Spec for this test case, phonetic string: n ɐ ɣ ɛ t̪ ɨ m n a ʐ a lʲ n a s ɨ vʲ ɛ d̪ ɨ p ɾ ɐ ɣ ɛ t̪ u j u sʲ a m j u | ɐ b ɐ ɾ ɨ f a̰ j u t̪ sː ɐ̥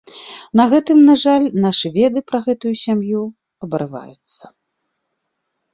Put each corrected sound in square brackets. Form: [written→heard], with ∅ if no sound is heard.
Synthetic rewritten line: n ɐ ɣ ɛ t̪ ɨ m n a ʐ a lʲ n a [s→ʂ] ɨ vʲ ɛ d̪ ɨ p ɾ ɐ ɣ ɛ t̪ u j u sʲ a m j u | ɐ b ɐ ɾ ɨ [f→v] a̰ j u t̪ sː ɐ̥